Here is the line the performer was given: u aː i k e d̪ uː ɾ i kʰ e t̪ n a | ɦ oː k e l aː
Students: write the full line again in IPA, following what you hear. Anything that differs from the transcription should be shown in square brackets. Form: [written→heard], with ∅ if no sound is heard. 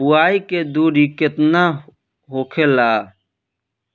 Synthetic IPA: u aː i k e d̪ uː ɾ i [kʰ→k] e t̪ n a | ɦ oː [k→kʰ] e l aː